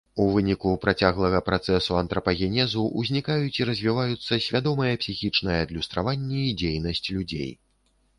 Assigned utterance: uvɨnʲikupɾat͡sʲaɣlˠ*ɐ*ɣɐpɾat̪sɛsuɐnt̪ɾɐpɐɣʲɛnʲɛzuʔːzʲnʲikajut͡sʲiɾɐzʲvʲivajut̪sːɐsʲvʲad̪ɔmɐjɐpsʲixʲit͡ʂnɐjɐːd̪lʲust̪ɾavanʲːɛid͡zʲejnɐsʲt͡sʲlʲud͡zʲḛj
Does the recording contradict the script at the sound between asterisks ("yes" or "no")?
no